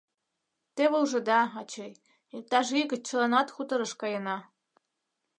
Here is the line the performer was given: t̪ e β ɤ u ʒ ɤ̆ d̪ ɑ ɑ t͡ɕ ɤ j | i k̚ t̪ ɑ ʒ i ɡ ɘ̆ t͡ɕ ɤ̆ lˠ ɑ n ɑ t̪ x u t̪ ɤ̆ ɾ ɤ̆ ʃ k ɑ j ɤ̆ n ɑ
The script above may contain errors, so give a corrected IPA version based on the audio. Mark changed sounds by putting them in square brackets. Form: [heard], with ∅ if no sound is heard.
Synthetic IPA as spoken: t̪ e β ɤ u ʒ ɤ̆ d̪ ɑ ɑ t͡ɕ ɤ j | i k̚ t̪ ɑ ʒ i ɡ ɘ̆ t͡ɕ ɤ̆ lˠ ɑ n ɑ t̪ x u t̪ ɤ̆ ɾ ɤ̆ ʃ k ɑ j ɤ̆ n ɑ